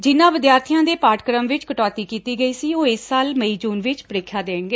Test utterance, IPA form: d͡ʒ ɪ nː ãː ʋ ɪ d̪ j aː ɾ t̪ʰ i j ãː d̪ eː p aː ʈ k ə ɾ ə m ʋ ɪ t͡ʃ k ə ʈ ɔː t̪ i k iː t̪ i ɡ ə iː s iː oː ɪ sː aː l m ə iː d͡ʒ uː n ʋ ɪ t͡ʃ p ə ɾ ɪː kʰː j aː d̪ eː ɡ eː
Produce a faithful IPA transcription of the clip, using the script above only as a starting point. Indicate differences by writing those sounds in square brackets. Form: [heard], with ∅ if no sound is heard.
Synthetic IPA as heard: d͡ʒ ɪ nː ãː ʋ ɪ d̪ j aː ɾ t̪ʰ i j ãː d̪ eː p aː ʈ k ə ɾ ə m ʋ ɪ t͡ʃ k ə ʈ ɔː t̪ [iː] k iː t̪ [iː] ɡ ə iː s iː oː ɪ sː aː l m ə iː d͡ʒ uː n ʋ ɪ t͡ʃ p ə ɾ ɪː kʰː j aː d̪ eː ɡ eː